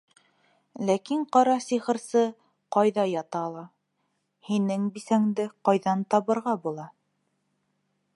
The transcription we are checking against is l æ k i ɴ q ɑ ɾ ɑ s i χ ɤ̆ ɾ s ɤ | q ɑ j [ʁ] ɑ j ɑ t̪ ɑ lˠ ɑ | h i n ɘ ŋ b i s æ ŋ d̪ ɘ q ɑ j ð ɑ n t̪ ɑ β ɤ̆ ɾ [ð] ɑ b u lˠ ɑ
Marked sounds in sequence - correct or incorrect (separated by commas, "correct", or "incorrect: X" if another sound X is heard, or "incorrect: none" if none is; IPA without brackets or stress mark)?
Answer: incorrect: ð, incorrect: ʁ